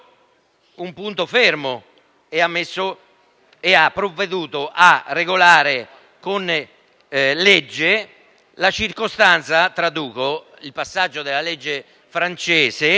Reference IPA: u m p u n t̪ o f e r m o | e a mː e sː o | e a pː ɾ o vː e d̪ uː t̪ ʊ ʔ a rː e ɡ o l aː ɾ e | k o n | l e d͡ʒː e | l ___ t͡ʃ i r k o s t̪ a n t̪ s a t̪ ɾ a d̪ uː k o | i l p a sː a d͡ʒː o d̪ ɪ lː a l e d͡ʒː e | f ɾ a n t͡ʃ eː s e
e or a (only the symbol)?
a